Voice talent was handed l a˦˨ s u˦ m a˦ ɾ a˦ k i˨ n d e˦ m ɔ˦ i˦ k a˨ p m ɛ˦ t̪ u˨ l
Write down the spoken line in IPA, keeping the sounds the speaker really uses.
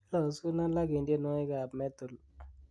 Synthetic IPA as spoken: l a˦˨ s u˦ n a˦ l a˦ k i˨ n d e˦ n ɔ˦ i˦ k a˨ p m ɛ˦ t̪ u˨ l